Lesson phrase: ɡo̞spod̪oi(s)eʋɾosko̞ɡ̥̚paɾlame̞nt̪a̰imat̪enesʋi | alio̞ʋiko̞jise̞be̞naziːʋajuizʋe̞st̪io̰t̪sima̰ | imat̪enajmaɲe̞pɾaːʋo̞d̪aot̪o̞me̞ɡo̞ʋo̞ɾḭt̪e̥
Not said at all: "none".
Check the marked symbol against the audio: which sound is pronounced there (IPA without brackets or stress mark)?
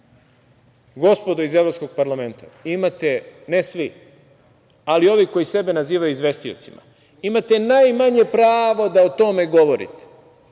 z